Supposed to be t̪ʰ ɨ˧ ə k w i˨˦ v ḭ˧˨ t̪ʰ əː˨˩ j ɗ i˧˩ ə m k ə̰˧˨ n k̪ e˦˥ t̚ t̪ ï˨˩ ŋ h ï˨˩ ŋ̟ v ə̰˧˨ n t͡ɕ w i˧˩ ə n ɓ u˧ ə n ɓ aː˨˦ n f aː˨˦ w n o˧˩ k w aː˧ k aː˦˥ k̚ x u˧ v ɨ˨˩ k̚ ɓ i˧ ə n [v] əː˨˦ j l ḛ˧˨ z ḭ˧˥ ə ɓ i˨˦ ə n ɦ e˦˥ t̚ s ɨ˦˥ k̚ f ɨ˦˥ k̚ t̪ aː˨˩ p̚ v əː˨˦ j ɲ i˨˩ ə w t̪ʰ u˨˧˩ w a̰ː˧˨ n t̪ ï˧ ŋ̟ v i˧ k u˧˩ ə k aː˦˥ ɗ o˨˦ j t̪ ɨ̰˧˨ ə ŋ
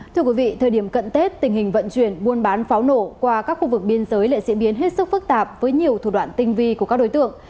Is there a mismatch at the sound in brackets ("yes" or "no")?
yes